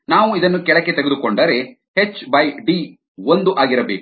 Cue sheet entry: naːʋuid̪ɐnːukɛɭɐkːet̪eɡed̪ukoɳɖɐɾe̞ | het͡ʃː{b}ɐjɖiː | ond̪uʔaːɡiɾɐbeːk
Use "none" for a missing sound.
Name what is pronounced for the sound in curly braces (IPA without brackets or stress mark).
b